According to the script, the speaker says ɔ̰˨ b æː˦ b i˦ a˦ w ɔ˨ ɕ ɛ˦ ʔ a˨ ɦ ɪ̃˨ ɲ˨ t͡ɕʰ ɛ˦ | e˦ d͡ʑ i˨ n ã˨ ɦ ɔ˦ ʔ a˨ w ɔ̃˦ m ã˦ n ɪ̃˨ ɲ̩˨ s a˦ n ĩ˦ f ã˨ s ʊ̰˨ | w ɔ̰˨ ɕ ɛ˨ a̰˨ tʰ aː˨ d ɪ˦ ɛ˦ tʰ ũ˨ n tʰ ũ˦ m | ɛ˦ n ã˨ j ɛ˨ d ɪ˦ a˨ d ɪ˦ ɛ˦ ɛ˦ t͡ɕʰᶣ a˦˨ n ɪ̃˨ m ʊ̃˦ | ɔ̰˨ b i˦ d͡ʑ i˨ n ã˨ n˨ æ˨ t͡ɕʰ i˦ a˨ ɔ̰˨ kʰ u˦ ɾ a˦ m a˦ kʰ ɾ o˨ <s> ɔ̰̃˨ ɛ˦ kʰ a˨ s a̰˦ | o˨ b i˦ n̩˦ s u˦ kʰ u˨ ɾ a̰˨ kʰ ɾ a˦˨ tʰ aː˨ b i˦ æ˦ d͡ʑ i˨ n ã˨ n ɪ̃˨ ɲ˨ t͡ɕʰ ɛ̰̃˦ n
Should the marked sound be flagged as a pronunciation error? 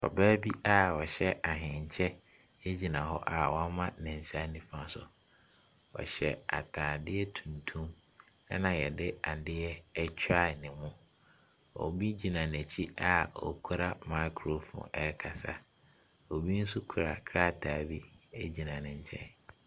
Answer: yes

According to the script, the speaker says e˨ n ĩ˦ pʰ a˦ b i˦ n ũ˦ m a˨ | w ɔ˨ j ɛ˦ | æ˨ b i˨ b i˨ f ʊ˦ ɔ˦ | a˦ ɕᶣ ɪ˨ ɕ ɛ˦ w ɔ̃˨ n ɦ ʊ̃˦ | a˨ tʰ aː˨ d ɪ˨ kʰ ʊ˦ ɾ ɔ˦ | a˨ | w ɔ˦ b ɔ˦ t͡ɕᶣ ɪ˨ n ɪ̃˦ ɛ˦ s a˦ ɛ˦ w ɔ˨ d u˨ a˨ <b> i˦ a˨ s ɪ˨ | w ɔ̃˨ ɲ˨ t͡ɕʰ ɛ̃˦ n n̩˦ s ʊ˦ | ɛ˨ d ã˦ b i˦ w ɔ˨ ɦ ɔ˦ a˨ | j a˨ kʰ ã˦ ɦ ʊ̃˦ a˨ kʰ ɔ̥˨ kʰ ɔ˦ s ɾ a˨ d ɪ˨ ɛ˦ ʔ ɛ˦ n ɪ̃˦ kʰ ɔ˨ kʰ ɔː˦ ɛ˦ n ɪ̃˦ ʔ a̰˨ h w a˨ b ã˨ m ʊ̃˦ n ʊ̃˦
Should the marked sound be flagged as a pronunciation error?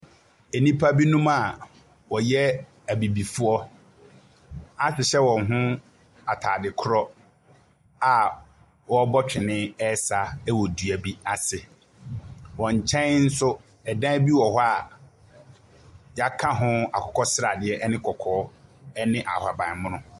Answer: no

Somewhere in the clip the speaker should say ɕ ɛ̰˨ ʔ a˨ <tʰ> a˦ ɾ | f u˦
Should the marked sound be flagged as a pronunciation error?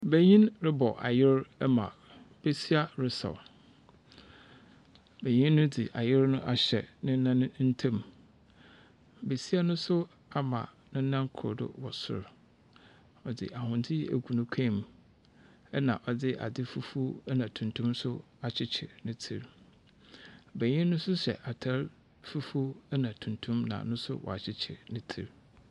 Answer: no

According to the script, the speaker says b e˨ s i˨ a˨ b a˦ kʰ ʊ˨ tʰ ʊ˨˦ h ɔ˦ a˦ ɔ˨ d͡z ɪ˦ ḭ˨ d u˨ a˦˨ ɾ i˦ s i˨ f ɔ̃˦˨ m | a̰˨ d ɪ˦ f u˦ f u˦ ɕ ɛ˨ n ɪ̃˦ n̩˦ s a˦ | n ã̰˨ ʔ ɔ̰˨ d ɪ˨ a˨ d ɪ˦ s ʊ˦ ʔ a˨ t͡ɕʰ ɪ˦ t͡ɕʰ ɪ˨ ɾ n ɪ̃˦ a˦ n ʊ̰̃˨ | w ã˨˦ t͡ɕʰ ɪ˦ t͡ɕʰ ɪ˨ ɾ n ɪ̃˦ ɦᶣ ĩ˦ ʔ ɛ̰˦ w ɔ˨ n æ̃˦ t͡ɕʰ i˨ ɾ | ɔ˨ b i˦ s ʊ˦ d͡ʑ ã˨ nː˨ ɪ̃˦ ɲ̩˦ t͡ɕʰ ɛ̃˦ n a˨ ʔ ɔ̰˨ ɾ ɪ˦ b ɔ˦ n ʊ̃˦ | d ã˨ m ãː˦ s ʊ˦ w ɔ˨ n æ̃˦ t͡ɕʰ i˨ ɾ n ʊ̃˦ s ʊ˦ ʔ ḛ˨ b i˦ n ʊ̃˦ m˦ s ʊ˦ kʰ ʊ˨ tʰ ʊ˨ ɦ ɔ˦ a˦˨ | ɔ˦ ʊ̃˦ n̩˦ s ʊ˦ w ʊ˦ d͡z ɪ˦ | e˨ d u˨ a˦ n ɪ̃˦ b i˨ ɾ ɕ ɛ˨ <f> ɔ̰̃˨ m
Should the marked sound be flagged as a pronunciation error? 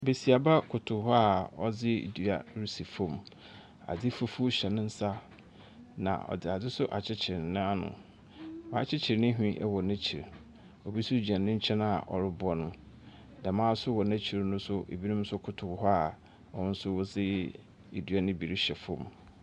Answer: no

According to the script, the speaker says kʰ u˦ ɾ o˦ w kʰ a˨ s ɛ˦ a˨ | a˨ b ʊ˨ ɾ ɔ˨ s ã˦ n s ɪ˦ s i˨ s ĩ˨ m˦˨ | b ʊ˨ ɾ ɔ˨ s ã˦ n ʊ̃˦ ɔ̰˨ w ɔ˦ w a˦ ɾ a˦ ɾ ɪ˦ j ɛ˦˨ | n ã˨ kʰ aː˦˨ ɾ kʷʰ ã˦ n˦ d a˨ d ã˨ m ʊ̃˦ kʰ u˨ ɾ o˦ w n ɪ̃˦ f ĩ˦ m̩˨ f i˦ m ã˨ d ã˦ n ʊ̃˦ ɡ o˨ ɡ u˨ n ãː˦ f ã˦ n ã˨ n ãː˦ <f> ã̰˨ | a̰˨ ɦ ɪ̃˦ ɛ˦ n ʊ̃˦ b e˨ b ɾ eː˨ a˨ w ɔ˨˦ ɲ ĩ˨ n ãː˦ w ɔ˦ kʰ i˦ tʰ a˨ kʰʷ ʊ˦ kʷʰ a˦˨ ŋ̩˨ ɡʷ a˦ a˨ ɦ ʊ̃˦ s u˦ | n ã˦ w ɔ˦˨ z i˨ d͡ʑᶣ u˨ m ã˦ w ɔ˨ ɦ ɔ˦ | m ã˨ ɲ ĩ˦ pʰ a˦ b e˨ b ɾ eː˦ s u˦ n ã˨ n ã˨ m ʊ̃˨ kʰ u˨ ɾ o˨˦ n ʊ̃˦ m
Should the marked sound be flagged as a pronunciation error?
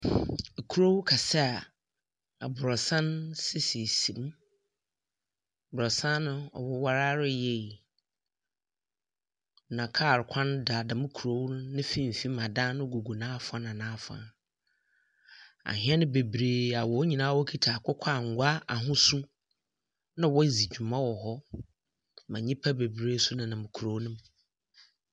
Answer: no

